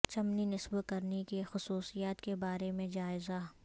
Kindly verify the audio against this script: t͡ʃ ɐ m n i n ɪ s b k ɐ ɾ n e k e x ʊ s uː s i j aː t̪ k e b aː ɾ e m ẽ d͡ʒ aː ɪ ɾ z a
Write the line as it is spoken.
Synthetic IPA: t͡ʃ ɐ m n i n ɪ s b k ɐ ɾ n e k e x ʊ s uː s i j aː t̪ k e b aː ɾ e m ẽ d͡ʒ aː ɪ z a